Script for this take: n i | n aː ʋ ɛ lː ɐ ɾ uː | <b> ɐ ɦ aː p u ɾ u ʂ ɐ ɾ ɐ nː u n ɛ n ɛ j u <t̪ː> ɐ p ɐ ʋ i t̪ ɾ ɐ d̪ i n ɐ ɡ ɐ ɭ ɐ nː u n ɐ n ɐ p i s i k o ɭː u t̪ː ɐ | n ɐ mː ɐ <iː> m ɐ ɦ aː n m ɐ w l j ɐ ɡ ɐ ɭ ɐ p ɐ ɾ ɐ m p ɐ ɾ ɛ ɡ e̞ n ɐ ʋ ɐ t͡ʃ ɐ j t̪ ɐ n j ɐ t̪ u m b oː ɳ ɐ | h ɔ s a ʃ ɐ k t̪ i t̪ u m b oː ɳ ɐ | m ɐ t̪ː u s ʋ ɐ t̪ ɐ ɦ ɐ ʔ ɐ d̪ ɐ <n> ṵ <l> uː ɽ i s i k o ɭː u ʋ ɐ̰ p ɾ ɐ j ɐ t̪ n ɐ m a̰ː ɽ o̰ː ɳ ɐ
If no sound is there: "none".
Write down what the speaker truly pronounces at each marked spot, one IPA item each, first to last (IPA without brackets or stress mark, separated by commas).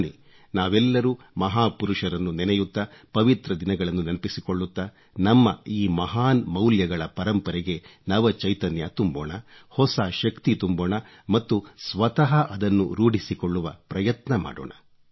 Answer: m, t̪ː, iː, nː, ɾ